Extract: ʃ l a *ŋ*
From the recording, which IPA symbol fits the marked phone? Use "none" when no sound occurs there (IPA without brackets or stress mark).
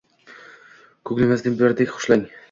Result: ŋ